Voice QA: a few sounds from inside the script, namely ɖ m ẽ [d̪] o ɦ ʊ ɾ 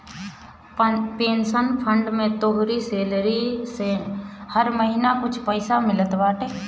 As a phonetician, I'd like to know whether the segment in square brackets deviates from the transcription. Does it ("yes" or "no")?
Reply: yes